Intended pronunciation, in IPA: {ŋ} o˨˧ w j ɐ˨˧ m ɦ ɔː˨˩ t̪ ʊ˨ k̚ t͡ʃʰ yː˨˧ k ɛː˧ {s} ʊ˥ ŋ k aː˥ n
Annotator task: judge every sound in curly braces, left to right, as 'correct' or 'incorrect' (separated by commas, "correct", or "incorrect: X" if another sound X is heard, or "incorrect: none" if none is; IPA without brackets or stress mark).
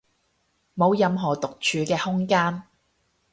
incorrect: m, incorrect: h